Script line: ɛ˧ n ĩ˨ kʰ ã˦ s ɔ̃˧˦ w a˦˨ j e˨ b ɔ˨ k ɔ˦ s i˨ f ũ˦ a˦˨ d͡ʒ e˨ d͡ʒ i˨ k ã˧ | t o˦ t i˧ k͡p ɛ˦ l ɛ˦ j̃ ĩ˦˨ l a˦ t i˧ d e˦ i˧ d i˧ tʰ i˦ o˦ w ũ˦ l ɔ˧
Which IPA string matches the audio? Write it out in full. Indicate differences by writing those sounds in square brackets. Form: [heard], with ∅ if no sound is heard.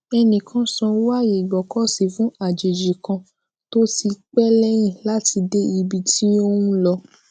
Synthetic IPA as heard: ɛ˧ n ĩ˨ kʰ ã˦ s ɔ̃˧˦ w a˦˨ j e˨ [ɡ͡b] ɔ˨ k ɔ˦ s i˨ f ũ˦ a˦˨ d͡ʒ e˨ d͡ʒ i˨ k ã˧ | t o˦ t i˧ k͡p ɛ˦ l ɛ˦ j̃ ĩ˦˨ l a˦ t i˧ d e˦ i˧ [b] i˧ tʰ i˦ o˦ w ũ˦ l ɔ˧